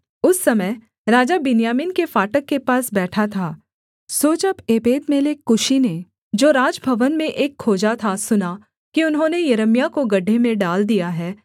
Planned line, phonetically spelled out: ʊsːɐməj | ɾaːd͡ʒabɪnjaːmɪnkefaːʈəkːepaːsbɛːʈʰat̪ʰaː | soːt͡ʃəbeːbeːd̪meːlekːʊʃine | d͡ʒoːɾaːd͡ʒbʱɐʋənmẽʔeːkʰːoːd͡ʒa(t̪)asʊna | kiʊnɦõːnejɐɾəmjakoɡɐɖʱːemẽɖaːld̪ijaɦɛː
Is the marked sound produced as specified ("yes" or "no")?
no